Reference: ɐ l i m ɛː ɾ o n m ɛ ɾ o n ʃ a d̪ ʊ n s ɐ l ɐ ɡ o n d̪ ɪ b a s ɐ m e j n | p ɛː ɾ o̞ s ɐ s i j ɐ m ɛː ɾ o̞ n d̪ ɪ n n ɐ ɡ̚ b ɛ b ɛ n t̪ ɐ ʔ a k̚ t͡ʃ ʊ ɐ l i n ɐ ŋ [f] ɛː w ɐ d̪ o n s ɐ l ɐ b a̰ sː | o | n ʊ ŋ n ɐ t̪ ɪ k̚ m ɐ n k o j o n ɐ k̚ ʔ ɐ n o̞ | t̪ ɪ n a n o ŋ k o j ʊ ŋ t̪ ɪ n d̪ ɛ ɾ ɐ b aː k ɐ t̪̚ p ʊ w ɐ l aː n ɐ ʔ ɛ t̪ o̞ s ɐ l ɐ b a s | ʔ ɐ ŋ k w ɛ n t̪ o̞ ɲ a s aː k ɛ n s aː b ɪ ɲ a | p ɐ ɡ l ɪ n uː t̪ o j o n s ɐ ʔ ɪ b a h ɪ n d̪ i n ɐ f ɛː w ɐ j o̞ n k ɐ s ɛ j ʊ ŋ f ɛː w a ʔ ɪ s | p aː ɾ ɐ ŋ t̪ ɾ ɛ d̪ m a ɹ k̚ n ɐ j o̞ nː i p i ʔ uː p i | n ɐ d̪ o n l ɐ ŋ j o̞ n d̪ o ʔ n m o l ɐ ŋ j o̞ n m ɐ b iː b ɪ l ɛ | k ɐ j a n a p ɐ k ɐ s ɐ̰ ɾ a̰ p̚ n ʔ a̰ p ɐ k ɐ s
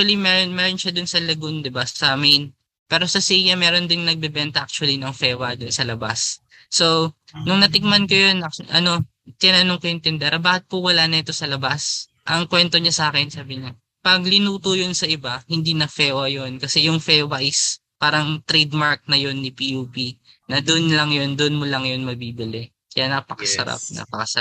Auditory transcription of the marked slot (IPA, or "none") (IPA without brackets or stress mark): f